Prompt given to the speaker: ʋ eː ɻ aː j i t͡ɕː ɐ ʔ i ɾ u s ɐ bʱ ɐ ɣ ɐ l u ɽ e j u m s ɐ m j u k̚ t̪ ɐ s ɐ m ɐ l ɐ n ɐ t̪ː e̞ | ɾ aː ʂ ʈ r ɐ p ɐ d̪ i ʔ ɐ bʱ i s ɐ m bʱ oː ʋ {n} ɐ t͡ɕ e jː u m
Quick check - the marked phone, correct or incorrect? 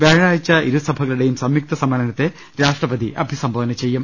correct